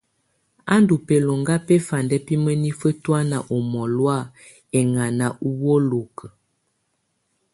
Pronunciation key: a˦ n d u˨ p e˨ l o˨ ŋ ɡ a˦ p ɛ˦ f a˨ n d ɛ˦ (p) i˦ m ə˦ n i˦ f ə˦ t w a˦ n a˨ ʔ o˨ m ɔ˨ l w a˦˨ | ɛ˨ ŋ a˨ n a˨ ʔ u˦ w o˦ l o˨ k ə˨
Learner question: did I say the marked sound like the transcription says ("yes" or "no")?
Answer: yes